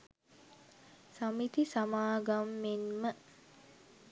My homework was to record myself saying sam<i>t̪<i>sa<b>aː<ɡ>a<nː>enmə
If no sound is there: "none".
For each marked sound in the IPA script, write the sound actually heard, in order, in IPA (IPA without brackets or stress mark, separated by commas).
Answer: i, i, m, ɡ, mː